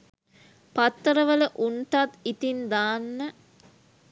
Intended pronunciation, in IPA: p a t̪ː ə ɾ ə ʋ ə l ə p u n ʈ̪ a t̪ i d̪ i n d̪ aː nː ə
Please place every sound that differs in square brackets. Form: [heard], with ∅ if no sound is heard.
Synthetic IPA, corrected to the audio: p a t̪ː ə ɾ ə ʋ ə l ə [ʔ] u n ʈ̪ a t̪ i [t̪] i n d̪ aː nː ə